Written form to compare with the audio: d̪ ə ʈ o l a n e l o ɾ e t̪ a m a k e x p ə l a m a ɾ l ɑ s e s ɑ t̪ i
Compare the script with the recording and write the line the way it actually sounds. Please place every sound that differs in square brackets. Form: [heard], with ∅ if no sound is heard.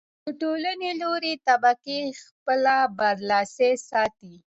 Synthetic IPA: d̪ ə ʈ o l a n e l o ɾ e t̪ a [b] a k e x p ə l a [b] a ɾ l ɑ s e s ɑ t̪ i